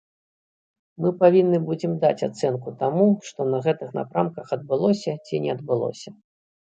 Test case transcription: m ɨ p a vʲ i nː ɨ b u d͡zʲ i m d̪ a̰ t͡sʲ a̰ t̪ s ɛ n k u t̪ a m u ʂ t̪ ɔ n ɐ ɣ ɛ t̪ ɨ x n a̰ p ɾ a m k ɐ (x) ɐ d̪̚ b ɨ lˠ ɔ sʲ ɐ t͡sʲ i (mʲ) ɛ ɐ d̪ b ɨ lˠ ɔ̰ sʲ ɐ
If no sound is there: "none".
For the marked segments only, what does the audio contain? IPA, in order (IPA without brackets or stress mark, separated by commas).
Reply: x, nʲ